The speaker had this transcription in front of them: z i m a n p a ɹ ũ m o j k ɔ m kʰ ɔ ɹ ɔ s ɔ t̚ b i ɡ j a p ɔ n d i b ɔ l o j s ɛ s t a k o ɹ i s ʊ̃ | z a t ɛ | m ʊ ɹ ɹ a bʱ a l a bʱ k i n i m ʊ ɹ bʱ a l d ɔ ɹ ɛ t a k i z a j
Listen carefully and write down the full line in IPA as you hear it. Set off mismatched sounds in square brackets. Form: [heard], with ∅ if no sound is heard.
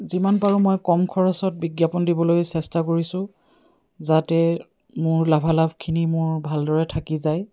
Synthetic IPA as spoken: z i m a n p a ɹ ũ m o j k ɔ m kʰ ɔ ɹ ɔ s ɔ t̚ b i ɡ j a p ɔ n d i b ɔ l o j s ɛ s t a k o ɹ i s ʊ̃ | z a t ɛ | m ʊ ɹ [l] a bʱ a l a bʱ [kʰ] i n i m ʊ ɹ bʱ a l d ɔ ɹ ɛ [tʰ] a k i z a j